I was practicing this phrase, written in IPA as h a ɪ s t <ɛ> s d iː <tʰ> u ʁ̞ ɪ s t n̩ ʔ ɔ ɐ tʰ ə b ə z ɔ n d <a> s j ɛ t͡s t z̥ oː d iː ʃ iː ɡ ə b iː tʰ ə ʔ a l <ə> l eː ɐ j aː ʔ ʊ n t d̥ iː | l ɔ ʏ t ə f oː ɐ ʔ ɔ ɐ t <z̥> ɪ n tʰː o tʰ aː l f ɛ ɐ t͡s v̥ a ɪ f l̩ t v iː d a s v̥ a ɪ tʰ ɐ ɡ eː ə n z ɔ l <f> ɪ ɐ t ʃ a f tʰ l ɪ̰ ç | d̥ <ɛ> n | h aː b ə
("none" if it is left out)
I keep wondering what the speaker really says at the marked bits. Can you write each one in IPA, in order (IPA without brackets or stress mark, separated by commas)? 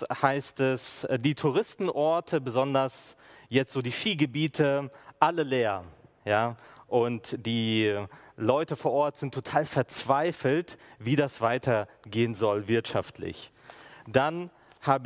ɛ, tʰ, ɐ, ə, z̥, v, a